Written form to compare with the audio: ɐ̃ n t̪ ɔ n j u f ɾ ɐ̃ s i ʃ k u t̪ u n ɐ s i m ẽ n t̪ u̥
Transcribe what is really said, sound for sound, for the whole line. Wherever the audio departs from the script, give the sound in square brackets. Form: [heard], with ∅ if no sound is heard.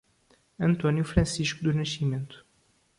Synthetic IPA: ɐ̃ n t̪ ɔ n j u f ɾ ɐ̃ s i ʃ k u [d̪] u n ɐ [ʃ] i m ẽ n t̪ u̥